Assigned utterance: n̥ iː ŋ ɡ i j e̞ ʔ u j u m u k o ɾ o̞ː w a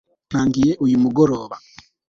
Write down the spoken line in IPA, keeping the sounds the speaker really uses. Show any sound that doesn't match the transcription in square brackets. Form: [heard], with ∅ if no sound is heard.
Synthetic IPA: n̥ [aː] ŋ ɡ i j e̞ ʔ u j u m u [ɡ] o ɾ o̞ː [β] a

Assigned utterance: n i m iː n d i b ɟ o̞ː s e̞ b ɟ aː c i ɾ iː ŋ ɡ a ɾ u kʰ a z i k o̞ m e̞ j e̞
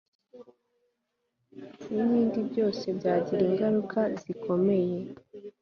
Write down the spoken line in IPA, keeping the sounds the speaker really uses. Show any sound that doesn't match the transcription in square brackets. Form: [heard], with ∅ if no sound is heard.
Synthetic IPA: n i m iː n d i b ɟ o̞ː s e̞ b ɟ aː [ɟ] i ɾ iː ŋ ɡ a ɾ u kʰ a z i k o̞ m e̞ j e̞

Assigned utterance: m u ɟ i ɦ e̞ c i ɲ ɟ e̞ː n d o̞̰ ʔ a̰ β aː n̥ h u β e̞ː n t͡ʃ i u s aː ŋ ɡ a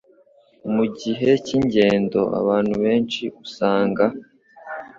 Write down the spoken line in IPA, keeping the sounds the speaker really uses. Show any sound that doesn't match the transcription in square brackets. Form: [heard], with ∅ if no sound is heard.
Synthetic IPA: m u ɟ i ɦ e̞ c i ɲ ɟ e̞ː n d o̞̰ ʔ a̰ β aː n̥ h u β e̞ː n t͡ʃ i u s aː ŋ ɡ a

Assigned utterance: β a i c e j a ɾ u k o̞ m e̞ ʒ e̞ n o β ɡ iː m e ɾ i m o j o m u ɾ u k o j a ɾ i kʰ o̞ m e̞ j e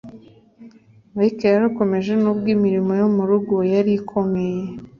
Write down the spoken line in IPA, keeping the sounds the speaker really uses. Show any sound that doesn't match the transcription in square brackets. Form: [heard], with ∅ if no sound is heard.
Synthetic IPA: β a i [k] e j a ɾ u k o̞ m e̞ ʒ e̞ n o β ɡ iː m [i] ɾ i m o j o m u ɾ u [ɡ] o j a ɾ i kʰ o̞ m e̞ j e

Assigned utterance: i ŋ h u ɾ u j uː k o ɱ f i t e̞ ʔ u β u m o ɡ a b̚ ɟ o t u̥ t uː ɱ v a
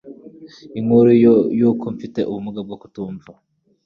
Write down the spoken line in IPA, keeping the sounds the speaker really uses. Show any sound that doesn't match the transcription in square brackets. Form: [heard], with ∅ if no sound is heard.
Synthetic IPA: i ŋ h u ɾ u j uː k o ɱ f i t e̞ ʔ u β u m [u] ɡ a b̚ [ɡ] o [k] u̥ t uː ɱ v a

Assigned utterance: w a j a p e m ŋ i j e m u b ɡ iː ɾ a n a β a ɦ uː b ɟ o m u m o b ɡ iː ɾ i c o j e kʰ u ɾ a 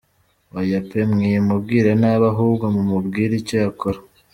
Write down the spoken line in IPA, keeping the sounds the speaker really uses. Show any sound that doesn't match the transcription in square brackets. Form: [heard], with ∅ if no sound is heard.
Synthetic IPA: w a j a p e m ŋ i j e m u b ɡ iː ɾ a n a β a ɦ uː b [ɡ] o m u m [u] b ɡ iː ɾ i c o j [a] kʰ [o] ɾ a

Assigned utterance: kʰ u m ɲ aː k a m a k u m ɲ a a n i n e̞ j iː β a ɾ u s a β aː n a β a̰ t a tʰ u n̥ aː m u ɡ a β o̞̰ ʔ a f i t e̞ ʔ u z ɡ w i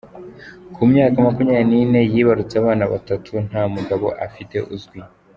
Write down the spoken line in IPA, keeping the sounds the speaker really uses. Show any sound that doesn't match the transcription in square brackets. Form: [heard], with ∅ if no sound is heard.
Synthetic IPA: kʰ u m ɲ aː k a m a k u m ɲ a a n i n e̞ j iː β a ɾ u [t͡s] a β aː n a β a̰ t a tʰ u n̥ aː m u ɡ a β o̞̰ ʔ a f i t e̞ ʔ u z ɡ w i

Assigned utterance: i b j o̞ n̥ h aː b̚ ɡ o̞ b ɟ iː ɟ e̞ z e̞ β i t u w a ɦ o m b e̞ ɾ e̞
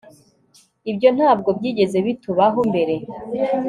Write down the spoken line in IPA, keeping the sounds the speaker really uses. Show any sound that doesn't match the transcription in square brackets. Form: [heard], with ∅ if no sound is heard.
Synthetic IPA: i b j o̞ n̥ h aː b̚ ɡ o̞ b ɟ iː ɟ e̞ z e̞ β i t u [β] a ɦ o m b e̞ ɾ e̞

